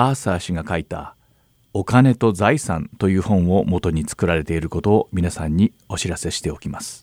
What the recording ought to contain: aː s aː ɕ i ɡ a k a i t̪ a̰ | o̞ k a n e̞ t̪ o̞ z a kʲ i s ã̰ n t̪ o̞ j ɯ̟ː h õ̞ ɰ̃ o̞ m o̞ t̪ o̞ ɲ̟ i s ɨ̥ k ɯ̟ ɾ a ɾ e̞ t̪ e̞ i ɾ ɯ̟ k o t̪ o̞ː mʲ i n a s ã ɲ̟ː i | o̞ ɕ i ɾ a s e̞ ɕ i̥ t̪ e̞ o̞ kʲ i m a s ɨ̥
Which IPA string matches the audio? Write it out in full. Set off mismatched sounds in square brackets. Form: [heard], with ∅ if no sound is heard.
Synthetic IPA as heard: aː s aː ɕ i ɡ a k a i t̪ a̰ | o̞ k a n e̞ t̪ o̞ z a [∅] i s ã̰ n t̪ o̞ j ɯ̟ː h õ̞ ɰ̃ o̞ m o̞ t̪ o̞ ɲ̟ i [t͡s] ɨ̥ k ɯ̟ ɾ a ɾ e̞ t̪ e̞ i ɾ ɯ̟ k o t̪ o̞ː mʲ i n a s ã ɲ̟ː i | o̞ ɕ i ɾ a s e̞ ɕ i̥ t̪ e̞ o̞ kʲ i m a s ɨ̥